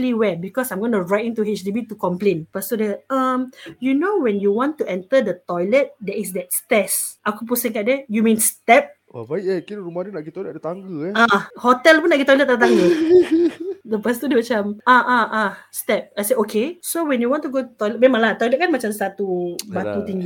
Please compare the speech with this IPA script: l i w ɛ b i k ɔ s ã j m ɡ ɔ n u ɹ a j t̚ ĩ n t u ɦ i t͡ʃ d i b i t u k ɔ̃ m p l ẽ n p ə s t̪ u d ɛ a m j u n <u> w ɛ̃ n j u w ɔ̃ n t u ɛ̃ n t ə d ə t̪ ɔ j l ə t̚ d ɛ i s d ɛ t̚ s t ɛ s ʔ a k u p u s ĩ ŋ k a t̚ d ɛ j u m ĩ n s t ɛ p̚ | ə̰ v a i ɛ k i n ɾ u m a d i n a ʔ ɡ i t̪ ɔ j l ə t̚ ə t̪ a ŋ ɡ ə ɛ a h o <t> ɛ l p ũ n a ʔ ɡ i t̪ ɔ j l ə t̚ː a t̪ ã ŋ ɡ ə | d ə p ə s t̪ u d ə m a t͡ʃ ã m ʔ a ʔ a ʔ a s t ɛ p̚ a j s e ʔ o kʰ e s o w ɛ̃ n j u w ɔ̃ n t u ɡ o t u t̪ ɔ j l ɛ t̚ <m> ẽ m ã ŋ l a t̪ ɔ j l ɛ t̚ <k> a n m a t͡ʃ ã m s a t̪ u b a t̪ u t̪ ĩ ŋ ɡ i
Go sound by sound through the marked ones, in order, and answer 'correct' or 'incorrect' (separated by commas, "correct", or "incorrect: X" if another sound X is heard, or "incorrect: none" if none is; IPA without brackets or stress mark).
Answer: incorrect: o, correct, correct, correct